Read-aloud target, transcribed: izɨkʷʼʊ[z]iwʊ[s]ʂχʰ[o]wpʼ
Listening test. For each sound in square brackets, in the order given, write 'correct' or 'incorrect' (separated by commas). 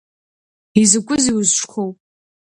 correct, incorrect, correct